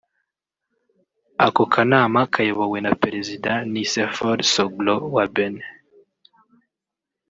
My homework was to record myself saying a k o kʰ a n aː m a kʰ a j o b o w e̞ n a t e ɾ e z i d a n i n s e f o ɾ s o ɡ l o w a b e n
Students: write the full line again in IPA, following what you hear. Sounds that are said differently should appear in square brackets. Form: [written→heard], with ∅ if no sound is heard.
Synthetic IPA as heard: a k o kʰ a n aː m a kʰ a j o [b→β] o w e̞ n a [t→p] e ɾ e z i d a n i [n→∅] s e f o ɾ s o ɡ l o w a b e n